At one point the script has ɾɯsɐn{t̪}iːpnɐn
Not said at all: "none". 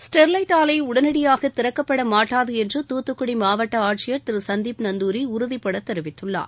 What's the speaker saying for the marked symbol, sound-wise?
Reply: d̪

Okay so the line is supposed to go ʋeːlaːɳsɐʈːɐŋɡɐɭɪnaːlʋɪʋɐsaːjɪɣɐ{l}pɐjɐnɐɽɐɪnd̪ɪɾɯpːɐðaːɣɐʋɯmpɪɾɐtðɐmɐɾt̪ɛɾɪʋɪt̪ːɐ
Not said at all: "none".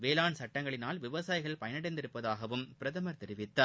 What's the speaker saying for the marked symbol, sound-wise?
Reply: ɭ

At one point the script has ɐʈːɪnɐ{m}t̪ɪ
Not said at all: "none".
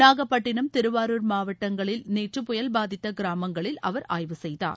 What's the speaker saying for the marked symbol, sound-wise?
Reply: m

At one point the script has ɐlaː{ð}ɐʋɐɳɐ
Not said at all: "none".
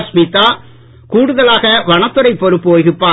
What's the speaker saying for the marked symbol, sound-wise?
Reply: ɣ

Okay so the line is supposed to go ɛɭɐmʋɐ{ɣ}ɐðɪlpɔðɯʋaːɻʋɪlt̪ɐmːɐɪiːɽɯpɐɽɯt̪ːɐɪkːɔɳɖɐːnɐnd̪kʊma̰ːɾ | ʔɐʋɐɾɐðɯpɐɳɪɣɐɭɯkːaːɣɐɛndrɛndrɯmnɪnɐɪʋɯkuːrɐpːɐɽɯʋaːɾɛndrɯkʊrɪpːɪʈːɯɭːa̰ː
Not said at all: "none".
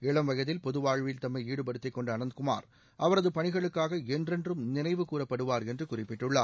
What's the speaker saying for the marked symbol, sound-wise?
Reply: ɣ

